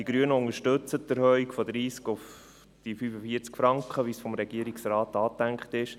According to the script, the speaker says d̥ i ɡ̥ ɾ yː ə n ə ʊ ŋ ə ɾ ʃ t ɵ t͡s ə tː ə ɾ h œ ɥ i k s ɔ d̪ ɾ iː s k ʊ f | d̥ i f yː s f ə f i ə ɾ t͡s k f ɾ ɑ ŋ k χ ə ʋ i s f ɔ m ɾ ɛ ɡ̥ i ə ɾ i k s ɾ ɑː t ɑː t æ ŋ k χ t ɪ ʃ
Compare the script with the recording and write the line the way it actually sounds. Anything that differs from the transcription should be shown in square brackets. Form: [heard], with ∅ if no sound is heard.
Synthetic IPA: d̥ i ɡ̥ ɾ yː ə n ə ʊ ŋ ə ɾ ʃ t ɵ t͡s ə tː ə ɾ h œ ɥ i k [f] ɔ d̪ ɾ iː s k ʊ f | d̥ i f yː [∅] f ə f i ə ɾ t͡s k f ɾ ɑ ŋ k χ ə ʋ i s f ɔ m ɾ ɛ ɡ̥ i ə ɾ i k s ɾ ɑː t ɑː t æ ŋ k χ t ɪ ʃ